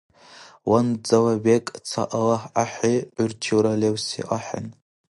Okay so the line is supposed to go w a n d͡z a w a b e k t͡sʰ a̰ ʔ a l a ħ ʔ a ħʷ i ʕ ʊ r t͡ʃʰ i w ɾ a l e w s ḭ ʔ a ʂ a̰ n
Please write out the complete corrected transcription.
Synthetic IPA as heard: w a n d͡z a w a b e kʼ t͡sʰ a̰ ʔ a l a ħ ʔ a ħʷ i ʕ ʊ r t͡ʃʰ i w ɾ a l e w s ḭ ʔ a ħ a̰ n